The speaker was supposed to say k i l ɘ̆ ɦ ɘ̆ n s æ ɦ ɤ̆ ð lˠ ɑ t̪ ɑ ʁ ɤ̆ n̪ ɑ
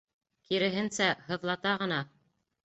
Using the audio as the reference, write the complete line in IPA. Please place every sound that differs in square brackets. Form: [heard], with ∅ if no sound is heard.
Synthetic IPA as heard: k i [ɾ] ɘ̆ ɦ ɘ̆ n s æ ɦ ɤ̆ ð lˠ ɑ t̪ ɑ ʁ ɤ̆ n̪ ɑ